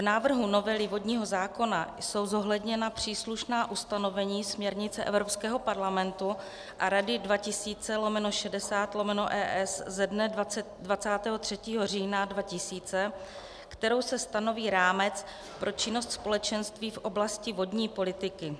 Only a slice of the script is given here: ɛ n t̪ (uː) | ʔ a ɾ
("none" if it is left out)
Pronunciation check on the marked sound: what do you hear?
u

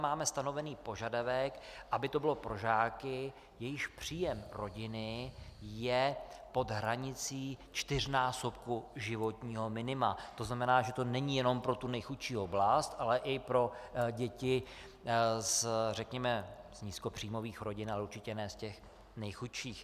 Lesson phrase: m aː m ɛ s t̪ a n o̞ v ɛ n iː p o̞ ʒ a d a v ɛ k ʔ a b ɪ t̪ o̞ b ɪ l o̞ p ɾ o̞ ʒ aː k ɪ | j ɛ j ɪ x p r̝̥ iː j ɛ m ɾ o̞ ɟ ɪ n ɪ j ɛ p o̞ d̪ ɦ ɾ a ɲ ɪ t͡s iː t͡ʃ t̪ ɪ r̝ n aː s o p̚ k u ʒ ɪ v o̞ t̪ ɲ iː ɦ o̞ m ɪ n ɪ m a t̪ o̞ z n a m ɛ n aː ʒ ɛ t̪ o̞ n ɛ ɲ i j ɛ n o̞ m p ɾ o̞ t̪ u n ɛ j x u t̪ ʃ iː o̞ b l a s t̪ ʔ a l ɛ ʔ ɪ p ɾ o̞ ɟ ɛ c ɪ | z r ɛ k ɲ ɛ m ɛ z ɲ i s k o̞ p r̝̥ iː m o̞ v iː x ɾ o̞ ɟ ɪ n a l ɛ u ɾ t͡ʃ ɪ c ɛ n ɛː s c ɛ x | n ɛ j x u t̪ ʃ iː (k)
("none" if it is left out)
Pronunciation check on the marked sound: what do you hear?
x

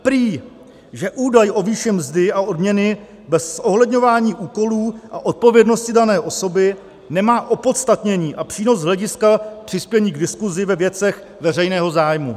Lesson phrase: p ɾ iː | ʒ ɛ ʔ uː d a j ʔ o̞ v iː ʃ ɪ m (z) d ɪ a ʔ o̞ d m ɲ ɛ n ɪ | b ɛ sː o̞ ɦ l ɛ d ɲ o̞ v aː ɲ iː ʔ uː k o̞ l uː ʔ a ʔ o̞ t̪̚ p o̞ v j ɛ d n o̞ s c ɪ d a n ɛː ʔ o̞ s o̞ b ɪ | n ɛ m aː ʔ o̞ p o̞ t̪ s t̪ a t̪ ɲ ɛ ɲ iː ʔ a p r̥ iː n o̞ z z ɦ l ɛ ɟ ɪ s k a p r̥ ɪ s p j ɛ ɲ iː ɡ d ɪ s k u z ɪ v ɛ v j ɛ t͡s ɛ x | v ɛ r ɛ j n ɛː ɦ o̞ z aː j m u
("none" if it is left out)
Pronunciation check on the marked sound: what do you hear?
z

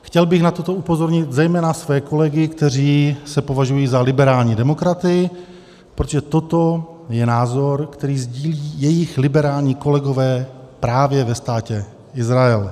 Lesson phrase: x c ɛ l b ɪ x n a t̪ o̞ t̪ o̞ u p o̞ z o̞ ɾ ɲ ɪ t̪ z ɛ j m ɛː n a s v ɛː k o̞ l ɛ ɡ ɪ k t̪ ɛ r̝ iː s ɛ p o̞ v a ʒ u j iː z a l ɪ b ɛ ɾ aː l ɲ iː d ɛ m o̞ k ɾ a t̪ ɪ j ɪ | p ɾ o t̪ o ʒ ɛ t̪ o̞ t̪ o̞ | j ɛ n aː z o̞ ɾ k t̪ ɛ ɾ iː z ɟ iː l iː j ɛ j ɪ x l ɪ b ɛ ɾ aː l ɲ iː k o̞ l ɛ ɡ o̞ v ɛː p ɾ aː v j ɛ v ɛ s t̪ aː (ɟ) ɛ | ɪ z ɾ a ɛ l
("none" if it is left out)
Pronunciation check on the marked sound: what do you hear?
c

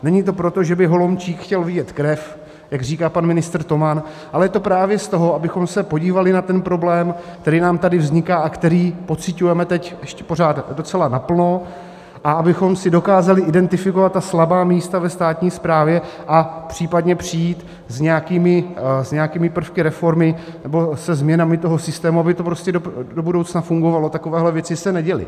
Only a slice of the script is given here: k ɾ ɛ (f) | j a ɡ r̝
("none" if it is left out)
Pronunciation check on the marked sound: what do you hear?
f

